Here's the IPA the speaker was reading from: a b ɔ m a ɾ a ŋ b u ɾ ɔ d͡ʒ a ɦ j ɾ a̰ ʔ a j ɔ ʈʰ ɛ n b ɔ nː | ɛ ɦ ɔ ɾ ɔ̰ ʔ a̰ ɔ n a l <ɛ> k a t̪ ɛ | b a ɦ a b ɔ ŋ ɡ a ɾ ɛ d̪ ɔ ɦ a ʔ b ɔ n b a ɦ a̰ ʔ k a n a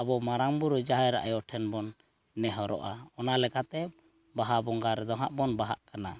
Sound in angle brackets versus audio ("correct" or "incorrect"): correct